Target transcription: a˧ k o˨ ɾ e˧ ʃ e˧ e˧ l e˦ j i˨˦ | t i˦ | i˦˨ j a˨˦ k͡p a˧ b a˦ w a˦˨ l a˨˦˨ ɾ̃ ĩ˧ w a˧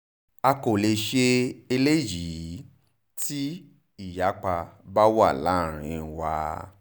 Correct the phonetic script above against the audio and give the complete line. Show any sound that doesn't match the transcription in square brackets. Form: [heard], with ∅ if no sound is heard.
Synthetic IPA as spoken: a˧ k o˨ [l] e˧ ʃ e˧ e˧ l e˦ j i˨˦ | t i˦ | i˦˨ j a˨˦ k͡p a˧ b a˦ w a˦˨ l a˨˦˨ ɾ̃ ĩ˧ w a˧